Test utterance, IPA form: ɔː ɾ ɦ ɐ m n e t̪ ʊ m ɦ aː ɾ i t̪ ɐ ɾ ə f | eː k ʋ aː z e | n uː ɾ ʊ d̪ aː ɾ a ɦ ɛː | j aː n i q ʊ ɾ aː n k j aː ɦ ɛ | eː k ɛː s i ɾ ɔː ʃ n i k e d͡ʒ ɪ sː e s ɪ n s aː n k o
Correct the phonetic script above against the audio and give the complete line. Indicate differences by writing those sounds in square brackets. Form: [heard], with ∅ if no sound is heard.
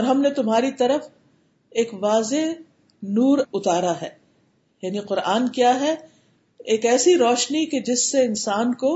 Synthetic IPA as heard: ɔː ɾ ɦ ɐ m n e t̪ ʊ m ɦ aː ɾ i t̪ ɐ ɾ ə f | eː k ʋ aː z e | n uː ɾ ʊ [t̪] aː ɾ a ɦ ɛː | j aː n i q ʊ ɾ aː n k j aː ɦ ɛ | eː k ɛː s i ɾ ɔː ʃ n i k e d͡ʒ ɪ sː e [∅] ɪ n s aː n k o